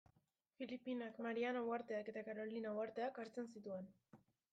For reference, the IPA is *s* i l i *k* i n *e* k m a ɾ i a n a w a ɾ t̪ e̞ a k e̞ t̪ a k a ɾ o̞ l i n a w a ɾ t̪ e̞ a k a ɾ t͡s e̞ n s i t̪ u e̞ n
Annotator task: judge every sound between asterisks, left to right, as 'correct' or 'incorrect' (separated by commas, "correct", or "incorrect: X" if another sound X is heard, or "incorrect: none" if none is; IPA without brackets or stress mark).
incorrect: f, incorrect: p, incorrect: a